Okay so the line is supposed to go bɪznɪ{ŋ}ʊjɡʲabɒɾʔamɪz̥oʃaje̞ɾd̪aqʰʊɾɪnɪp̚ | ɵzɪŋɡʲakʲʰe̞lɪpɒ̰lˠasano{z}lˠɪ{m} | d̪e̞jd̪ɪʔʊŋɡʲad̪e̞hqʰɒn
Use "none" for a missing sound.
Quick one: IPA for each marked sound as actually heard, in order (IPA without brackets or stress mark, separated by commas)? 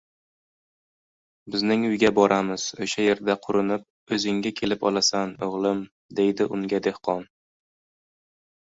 ŋ, ʁ, m